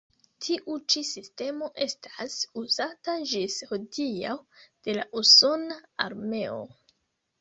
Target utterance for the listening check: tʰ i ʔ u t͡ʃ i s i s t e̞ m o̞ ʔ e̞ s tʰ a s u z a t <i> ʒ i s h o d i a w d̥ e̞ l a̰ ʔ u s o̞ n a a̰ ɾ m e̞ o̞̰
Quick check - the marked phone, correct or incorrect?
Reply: incorrect